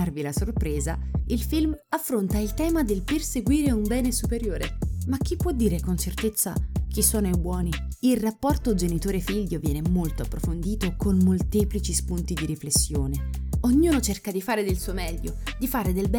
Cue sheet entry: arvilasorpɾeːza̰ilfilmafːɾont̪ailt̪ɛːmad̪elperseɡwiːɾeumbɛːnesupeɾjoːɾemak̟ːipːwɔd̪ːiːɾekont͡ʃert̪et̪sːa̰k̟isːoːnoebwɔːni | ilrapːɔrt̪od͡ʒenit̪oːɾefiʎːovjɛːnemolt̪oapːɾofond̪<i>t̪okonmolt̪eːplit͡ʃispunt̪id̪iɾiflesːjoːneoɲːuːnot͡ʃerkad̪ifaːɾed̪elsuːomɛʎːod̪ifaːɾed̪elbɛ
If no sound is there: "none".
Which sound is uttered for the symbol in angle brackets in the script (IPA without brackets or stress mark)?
iː